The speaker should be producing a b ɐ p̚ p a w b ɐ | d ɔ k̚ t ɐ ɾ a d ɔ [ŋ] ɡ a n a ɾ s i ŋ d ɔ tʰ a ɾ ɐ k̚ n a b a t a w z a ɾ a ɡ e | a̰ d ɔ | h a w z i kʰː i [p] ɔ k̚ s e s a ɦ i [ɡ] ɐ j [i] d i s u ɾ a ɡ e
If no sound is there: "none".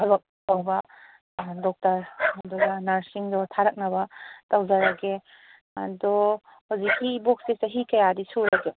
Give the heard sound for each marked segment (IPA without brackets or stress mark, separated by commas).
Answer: none, b, k, a